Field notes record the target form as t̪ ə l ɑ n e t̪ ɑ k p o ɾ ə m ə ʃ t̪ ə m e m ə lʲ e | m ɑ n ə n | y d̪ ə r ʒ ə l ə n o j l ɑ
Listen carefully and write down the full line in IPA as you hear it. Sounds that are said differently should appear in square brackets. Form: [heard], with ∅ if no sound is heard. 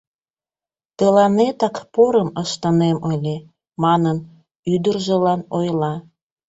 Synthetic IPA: t̪ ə l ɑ n e t̪ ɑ k p o ɾ ə m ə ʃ t̪ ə [n] e m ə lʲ e | m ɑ n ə n | y d̪ ə r ʒ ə l [ɑ] n o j l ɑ